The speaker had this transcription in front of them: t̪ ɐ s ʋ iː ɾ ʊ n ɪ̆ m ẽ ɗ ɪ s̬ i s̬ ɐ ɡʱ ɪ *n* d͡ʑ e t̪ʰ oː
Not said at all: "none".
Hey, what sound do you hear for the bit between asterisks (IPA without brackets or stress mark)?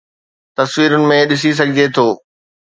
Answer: none